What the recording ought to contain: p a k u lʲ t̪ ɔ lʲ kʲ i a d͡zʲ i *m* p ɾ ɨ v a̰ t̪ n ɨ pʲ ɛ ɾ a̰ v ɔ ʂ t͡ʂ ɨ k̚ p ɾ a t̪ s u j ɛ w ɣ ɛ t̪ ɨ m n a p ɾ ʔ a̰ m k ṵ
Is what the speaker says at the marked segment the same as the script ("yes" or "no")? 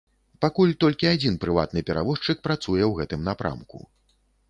no